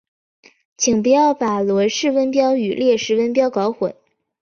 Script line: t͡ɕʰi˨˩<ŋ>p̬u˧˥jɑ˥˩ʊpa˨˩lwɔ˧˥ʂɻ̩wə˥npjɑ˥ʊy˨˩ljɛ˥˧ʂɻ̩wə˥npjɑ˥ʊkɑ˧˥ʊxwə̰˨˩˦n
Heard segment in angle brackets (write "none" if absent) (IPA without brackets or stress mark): ŋ